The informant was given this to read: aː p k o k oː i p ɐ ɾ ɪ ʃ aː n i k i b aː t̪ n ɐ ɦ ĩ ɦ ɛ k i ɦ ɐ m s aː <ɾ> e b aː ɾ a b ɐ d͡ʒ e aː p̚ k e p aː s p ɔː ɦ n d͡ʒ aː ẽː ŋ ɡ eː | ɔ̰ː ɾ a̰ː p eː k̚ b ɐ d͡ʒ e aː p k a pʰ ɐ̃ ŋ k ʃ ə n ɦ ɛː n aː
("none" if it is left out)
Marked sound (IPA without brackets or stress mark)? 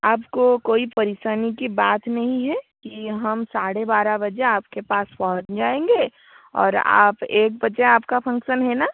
ɽ